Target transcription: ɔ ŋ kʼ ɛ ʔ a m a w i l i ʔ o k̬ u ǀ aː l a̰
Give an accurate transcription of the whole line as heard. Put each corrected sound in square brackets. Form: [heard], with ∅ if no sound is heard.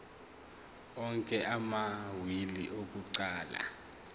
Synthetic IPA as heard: ɔ ŋ kʼ ɛ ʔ a m a w i l i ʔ o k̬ u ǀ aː l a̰

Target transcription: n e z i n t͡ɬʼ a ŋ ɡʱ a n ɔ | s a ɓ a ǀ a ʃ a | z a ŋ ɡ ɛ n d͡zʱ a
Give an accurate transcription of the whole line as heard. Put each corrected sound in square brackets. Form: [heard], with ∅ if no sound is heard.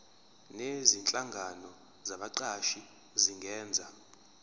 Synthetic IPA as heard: n e z i n t͡ɬʼ a ŋ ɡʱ a n ɔ | [z] a ɓ a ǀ a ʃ [i] | z [i] ŋ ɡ [ɛː] n d͡zʱ a

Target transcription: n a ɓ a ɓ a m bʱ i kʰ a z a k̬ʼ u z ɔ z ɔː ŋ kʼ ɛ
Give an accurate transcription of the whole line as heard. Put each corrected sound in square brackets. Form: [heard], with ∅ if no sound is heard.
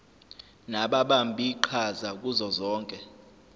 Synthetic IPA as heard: n a ɓ a ɓ a m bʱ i [ǃʰ] a z a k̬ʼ u z ɔ z ɔː ŋ kʼ ɛ

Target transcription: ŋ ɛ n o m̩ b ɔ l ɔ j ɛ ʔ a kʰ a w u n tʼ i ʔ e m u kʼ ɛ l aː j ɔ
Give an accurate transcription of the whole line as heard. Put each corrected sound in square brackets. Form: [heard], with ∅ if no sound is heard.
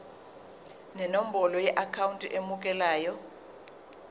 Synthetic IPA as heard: [n] ɛ n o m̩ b ɔ l ɔ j ɛ ʔ a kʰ a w u n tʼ i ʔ e m u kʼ ɛ l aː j ɔ

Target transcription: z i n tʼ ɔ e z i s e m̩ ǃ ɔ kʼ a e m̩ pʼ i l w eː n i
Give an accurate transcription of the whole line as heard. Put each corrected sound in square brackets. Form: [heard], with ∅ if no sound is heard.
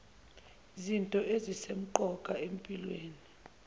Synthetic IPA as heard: z i n tʼ ɔ e z i s e m̩ ǃ ɔ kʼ a e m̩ pʼ i l w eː n i

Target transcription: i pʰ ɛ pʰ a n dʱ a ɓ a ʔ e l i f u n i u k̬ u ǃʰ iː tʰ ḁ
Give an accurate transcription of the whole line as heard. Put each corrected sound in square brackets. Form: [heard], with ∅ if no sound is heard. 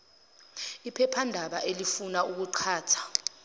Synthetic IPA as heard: i pʰ ɛ pʰ a n dʱ a ɓ a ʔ e l i f u n [a] u k̬ u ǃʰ [aː] tʰ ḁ

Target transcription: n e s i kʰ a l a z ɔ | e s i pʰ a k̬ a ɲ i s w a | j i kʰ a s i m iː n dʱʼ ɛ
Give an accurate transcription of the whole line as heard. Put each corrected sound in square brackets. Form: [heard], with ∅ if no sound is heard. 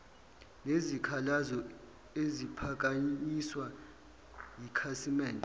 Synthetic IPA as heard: n e [z] i kʰ a l a z ɔ | e [z] i pʰ a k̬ a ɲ i s w a | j i kʰ a s i m [ɛː] n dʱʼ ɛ

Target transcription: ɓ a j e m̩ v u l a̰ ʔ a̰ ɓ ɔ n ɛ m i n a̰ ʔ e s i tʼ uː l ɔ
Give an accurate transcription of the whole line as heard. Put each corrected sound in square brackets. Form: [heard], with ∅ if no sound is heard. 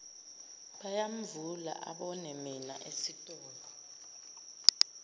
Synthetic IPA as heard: ɓ a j [a] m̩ v u l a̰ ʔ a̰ ɓ ɔ n ɛ m i n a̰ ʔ e s i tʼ [ɔː] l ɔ

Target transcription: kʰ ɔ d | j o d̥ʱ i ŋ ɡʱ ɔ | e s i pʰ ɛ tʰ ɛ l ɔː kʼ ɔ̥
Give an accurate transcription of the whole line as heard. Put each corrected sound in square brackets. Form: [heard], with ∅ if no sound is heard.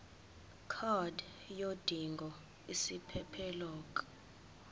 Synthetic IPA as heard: kʰ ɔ d | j o d̥ʱ i ŋ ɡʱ ɔ | [i] s i pʰ ɛ [pʰ] ɛ l ɔː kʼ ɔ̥

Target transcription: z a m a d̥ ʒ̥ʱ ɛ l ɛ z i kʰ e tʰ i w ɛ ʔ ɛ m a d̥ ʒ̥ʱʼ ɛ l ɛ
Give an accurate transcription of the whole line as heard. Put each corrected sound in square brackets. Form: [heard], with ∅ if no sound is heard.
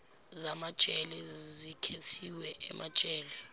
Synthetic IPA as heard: z a m a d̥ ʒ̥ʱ ɛ l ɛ z i kʰ e tʰ i w ɛ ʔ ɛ m a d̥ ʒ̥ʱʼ [ɛː] l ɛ

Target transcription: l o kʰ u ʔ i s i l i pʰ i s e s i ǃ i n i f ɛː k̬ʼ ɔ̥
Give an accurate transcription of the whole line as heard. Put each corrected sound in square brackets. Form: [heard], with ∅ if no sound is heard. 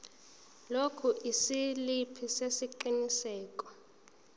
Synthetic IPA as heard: l o kʰ u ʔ i s i l i pʰ i s e s i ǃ i n i [s] ɛː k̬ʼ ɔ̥

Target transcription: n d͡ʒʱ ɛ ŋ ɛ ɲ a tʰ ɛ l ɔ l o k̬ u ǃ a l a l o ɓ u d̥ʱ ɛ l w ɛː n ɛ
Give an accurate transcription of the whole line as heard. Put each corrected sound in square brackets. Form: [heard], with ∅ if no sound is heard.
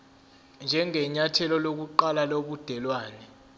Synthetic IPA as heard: n d͡ʒʱ ɛ ŋ ɛ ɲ a tʰ ɛ l ɔ l o k̬ u ǃ a l a l o ɓ u d̥ʱ ɛ l w [aː] n ɛ

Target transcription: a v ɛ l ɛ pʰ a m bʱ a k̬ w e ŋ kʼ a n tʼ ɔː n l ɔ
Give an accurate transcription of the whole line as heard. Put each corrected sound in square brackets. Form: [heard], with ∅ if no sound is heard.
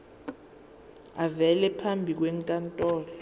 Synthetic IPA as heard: a v ɛ l ɛ pʰ a m bʱ [i] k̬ w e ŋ kʼ a n tʼ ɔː [∅] l ɔ

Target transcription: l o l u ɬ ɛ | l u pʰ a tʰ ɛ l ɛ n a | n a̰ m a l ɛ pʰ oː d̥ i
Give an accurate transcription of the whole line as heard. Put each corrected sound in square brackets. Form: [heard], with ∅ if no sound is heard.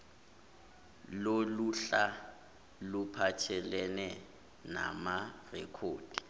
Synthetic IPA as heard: l o l u ɬ [a] | l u pʰ a tʰ ɛ l ɛ n [ɛ] | n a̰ m a [r] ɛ [kʰ] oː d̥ i

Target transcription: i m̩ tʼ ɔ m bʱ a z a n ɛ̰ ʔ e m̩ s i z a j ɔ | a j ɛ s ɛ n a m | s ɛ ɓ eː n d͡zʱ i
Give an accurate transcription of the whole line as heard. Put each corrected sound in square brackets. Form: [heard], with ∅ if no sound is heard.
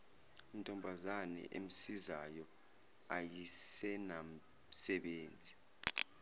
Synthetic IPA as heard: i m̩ tʼ ɔ m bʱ a z a n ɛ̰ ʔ e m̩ s i z a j ɔ | a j [i] s ɛ n a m | s ɛ ɓ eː n d͡zʱ i

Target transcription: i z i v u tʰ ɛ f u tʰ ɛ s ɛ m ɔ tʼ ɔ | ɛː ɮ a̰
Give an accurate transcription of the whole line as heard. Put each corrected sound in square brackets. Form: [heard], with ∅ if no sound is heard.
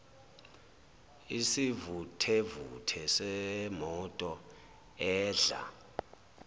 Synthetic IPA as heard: i [s] i v u tʰ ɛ [v] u tʰ ɛ s ɛ m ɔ tʼ ɔ | ɛː ɮ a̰

